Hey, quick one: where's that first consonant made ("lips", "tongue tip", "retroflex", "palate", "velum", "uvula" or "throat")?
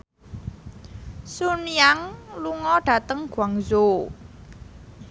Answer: tongue tip